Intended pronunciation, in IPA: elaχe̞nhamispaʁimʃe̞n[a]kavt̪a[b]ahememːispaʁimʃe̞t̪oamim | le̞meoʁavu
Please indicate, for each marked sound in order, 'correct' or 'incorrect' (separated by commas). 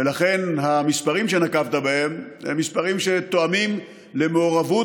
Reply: correct, correct